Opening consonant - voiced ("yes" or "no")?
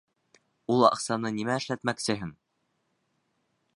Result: yes